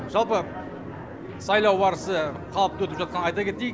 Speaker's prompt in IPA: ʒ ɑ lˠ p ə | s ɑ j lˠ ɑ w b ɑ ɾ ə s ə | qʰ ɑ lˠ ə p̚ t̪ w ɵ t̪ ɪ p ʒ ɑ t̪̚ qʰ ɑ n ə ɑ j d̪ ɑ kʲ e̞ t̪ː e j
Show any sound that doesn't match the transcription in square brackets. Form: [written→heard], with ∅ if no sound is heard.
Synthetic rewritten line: ʒ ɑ lˠ p ə | s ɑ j lˠ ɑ w b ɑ ɾ ə s ə | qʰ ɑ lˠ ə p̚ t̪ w ɵ t̪ ɪ p ʒ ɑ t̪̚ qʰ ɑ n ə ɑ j [d̪→t̪] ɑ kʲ e̞ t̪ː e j